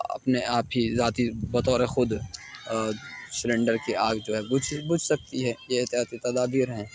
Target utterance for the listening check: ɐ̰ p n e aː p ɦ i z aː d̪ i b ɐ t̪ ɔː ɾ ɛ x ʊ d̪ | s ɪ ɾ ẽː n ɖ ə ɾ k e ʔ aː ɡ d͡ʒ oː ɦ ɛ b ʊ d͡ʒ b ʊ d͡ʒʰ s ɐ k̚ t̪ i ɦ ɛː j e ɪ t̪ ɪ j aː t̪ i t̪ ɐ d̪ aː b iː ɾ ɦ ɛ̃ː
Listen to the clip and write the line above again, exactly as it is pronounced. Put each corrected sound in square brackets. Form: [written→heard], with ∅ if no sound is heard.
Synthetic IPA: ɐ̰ p n e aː p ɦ i z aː [d̪→t̪] i b ɐ t̪ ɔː ɾ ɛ x ʊ d̪ | s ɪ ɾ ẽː [n→ɳ] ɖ ə ɾ k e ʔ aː ɡ d͡ʒ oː ɦ ɛ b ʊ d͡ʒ b ʊ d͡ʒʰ s ɐ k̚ t̪ i ɦ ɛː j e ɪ t̪ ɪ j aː t̪ i t̪ ɐ d̪ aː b iː ɾ ɦ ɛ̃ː